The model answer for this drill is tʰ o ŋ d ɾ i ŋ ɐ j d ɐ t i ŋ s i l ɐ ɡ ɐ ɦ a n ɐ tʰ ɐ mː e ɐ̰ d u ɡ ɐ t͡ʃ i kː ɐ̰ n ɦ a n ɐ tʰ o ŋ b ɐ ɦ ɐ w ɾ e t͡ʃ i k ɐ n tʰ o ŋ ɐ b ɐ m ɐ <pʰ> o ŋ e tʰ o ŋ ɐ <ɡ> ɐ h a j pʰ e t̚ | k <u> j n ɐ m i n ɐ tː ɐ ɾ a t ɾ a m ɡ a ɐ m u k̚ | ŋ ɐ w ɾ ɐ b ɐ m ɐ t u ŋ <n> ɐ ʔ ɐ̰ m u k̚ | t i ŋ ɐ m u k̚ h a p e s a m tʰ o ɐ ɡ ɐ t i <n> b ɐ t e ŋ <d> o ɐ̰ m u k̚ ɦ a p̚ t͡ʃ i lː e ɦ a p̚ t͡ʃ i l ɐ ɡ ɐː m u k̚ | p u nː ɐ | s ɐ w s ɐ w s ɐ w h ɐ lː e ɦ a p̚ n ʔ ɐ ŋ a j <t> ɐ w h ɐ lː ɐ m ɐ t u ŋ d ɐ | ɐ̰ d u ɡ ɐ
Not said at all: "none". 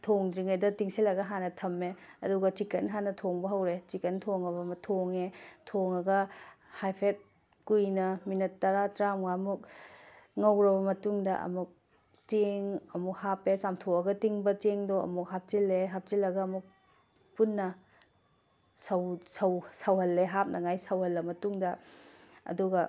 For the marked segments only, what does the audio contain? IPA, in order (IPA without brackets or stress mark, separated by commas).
tʰ, ɡ, u, d, ŋ, d, s